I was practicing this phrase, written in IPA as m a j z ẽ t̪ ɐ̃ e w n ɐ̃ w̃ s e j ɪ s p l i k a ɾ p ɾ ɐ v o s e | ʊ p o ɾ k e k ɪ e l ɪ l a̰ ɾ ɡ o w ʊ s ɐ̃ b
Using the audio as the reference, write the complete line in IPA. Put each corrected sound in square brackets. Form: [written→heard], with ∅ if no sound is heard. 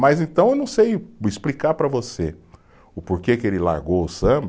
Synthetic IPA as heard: m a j z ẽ t̪ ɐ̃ e w n ɐ̃ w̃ s e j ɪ s p l i k a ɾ p ɾ ɐ v o s e | ʊ p o ɾ k e k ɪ e l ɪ l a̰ ɾ ɡ o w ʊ s ɐ̃ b